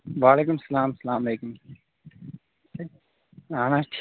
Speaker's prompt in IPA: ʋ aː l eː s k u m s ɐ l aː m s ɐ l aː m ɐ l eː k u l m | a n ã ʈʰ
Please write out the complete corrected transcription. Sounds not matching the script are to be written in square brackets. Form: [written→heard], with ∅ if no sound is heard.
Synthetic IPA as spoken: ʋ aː l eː [s→∅] k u m s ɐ l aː m s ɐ l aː m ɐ l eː k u [l→∅] m | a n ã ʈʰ